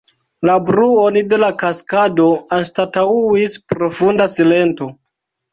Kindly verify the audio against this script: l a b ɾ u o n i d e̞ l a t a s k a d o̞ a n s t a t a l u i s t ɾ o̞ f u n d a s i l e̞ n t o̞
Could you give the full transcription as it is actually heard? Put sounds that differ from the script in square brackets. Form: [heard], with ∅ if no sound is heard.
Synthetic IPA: l a b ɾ u o n i d e̞ l a [k] a s k a d o̞ a n s t a t a [∅] u i s [p] ɾ o̞ f u n d a s i l e̞ n t o̞